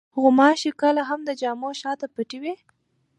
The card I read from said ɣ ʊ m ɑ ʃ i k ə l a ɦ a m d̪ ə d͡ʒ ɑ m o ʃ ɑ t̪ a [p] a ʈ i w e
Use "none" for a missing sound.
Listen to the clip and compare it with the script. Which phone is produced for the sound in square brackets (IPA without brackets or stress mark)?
p